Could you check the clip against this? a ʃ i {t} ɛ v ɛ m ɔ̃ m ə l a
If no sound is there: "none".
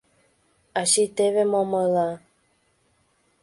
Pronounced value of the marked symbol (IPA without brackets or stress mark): t